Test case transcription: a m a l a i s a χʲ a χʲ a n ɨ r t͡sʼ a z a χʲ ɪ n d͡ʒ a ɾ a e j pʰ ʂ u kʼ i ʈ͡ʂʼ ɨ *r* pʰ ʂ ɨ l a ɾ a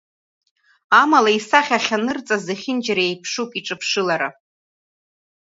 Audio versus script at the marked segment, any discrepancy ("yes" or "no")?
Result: yes